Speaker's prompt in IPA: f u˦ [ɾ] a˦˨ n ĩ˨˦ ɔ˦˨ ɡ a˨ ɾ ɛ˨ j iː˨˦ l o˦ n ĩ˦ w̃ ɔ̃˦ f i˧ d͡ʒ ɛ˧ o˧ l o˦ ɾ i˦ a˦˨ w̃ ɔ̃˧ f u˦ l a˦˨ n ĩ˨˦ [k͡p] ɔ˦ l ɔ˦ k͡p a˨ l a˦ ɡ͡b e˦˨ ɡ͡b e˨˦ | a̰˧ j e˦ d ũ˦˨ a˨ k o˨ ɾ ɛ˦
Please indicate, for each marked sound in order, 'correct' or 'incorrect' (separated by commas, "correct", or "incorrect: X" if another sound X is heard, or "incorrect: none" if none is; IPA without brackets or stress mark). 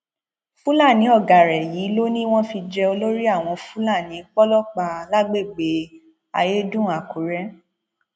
incorrect: l, correct